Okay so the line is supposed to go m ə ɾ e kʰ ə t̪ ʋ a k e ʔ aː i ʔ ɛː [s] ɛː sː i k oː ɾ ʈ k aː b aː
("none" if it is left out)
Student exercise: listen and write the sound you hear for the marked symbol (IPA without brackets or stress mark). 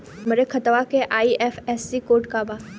f